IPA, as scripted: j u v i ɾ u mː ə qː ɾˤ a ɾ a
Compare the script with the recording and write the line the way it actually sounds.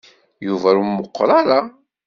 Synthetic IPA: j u v æ ɾ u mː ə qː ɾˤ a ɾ a